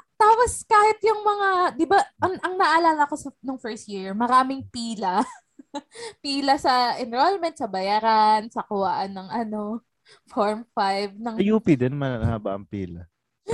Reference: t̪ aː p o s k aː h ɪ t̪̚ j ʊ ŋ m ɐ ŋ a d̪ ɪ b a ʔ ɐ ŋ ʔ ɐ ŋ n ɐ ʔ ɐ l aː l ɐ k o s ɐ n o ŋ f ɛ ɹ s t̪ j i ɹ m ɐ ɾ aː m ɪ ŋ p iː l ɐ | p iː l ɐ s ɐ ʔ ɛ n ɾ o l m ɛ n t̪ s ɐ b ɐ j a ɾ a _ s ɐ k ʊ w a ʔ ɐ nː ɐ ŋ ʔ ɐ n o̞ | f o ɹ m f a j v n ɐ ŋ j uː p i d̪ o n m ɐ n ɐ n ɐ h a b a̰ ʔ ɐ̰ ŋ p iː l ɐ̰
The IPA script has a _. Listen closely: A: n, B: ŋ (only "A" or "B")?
A